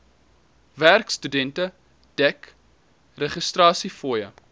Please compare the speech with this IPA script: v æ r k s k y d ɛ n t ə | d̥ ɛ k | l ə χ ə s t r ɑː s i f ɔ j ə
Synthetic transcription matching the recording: v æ r k s t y d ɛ n t ə | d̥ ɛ k | r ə χ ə s t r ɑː s i f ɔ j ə